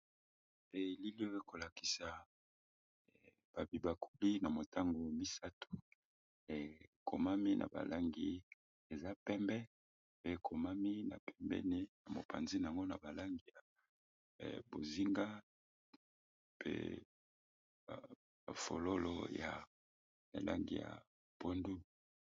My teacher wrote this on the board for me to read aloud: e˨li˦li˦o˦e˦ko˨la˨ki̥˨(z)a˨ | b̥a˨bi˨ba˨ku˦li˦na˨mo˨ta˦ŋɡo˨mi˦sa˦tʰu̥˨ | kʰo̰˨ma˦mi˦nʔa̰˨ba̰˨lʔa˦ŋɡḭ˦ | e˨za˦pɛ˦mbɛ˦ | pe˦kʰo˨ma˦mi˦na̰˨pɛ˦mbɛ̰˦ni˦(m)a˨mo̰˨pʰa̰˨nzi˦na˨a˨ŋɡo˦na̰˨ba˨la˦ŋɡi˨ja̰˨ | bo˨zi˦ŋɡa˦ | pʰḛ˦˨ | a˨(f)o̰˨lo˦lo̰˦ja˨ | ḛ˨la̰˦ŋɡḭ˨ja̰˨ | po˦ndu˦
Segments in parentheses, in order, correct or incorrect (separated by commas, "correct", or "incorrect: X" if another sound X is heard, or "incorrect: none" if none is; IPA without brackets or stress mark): incorrect: s, incorrect: n, correct